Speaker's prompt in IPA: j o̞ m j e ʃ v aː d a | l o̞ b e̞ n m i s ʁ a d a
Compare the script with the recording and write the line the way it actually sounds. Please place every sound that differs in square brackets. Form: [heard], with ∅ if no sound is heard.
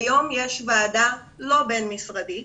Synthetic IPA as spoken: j o̞ m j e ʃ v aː d a | l o̞ b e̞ n m i s ʁ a d [i]